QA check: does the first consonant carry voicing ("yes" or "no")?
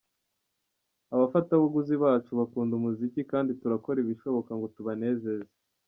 yes